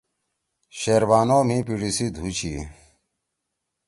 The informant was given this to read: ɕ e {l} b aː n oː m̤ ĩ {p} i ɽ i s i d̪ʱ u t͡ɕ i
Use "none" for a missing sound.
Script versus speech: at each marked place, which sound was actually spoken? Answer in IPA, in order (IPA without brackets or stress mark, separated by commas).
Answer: ɾ, p